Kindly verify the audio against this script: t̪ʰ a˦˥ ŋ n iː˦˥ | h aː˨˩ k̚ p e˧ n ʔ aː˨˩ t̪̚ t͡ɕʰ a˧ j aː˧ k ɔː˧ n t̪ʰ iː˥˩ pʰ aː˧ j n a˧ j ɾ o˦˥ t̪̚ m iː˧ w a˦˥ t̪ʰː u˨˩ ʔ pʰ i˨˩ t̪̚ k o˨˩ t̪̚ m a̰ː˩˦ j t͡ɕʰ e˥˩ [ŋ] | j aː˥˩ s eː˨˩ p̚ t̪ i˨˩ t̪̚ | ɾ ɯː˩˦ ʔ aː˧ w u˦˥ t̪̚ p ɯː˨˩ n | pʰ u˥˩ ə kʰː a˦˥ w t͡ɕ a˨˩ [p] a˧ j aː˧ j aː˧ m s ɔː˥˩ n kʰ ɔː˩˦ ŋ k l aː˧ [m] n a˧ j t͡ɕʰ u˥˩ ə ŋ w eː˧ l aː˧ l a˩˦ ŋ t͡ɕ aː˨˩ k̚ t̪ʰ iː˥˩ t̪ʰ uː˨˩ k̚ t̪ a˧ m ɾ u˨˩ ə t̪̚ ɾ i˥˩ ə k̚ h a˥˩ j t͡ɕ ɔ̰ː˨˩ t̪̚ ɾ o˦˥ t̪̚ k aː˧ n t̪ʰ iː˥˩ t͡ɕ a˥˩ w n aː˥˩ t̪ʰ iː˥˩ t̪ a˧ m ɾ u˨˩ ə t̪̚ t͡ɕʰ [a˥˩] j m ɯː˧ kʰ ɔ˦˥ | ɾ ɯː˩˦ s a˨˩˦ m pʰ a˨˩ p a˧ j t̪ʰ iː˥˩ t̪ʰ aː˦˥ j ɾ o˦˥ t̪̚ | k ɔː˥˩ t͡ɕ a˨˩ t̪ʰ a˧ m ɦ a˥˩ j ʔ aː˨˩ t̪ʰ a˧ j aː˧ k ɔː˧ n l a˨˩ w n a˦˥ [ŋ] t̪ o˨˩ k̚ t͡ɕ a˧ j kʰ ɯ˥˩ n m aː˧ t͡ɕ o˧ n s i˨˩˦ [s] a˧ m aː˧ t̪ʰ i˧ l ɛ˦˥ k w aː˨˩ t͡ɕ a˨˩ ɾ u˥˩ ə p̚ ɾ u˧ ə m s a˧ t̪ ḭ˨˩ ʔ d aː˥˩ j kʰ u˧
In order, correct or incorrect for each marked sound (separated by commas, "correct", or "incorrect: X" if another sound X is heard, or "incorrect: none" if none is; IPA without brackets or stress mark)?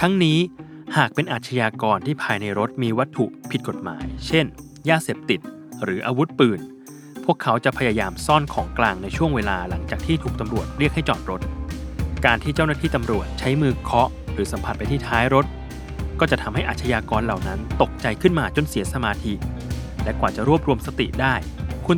incorrect: n, incorrect: pʰ, incorrect: ŋ, incorrect: a˦˥, incorrect: n, correct